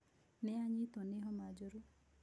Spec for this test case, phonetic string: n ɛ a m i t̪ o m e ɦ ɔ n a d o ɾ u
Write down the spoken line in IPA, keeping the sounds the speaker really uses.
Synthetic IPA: n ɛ a ɲ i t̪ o n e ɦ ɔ m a d͡ʒ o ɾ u